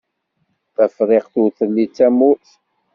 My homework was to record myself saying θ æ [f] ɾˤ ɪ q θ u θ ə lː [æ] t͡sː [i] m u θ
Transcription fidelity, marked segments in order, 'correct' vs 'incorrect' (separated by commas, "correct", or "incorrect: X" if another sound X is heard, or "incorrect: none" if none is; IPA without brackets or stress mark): correct, incorrect: i, incorrect: æ